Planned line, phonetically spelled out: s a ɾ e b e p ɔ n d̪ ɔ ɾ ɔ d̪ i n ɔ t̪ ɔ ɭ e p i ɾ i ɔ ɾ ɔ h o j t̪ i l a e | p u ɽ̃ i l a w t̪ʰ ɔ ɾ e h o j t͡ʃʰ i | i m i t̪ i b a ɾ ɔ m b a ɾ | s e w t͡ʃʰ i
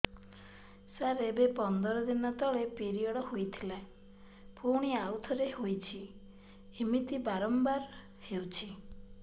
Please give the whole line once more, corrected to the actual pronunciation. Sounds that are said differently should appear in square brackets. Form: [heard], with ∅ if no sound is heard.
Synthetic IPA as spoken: s a ɾ e b e p ɔ n d̪ ɔ ɾ ɔ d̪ i n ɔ t̪ ɔ ɭ e p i ɾ i ɔ [ɽ] ɔ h o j [t̪ʰ] i l a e | p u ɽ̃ i [∅] a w t̪ʰ ɔ ɾ e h o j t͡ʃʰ i | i m i t̪ i b a ɾ ɔ m b a ɾ | [h] e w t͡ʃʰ i